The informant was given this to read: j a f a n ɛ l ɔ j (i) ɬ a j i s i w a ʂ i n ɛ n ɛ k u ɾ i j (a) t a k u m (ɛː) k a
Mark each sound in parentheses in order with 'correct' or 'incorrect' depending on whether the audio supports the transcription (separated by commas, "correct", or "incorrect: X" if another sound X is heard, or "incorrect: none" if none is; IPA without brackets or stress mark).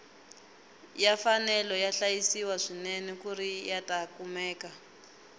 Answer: incorrect: a, correct, correct